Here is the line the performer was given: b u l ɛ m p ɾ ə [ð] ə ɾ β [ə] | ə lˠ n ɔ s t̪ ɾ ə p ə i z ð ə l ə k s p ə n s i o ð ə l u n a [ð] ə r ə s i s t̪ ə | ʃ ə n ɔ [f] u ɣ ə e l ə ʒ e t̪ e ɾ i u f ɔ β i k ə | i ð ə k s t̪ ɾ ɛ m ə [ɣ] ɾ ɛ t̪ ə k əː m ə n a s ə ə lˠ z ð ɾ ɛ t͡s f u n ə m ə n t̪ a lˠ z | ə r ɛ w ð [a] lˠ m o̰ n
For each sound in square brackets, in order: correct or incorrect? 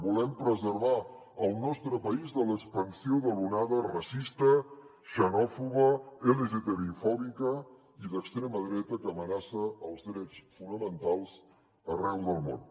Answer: incorrect, incorrect, correct, correct, incorrect, incorrect

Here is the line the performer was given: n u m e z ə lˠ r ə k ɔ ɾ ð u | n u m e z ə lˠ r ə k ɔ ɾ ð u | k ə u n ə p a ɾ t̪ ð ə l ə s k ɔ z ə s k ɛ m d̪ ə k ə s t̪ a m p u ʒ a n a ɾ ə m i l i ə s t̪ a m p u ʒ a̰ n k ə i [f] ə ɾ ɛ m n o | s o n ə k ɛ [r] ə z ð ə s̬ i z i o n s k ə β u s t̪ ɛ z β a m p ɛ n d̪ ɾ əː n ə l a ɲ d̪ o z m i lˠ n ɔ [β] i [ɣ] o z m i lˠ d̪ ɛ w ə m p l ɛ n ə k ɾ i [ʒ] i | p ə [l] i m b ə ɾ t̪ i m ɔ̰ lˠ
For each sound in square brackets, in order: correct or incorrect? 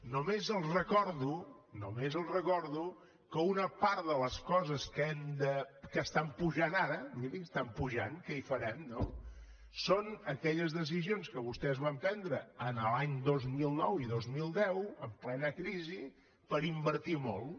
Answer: correct, incorrect, incorrect, incorrect, incorrect, incorrect

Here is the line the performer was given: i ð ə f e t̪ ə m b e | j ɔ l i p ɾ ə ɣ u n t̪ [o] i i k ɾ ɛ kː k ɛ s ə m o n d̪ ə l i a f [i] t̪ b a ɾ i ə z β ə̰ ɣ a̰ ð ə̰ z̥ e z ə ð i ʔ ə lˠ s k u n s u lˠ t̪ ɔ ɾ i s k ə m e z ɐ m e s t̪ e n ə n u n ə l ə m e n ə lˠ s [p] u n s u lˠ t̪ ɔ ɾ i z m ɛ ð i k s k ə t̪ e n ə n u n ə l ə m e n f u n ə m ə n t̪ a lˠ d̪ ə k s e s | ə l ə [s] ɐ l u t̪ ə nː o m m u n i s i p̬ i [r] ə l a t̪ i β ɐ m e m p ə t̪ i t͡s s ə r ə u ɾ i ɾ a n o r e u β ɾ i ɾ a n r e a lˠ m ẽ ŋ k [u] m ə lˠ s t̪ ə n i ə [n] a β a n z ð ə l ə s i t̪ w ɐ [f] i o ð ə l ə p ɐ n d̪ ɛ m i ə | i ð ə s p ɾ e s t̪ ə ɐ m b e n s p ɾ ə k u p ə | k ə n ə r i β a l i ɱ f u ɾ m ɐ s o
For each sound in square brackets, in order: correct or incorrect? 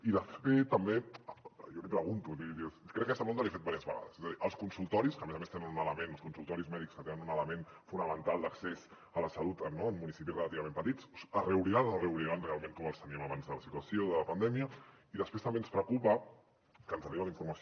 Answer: incorrect, incorrect, incorrect, correct, correct, incorrect, incorrect, incorrect

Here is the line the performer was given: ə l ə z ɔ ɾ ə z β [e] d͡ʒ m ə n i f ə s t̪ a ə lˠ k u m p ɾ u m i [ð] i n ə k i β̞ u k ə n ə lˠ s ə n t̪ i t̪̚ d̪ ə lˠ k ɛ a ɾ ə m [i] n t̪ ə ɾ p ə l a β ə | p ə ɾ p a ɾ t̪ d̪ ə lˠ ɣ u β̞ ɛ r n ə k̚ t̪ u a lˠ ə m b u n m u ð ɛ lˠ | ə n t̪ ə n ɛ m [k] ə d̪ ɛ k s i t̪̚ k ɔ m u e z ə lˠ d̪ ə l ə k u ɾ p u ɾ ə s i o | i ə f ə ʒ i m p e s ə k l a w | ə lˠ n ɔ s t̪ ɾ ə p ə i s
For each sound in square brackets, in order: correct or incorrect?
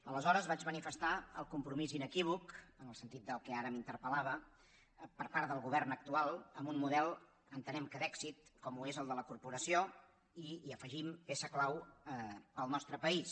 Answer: incorrect, incorrect, correct, correct

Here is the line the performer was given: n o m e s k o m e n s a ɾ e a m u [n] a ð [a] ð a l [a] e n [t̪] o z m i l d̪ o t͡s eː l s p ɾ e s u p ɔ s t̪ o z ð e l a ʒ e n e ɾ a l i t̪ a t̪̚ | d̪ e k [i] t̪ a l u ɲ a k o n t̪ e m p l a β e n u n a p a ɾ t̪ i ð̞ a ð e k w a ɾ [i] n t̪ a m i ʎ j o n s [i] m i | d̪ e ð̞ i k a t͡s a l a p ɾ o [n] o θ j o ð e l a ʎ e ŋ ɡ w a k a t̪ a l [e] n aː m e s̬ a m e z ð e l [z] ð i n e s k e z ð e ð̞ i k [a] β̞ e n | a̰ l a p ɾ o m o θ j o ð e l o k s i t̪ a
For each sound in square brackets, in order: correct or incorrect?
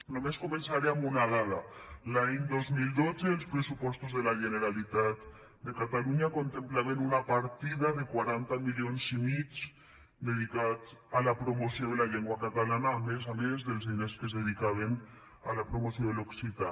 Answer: correct, correct, correct, incorrect, incorrect, incorrect, correct, incorrect, incorrect, correct, correct

